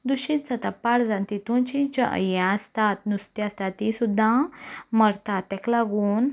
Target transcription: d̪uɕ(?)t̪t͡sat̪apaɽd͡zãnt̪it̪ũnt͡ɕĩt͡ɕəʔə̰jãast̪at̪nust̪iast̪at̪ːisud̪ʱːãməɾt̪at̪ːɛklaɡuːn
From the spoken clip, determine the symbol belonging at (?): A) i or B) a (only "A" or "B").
A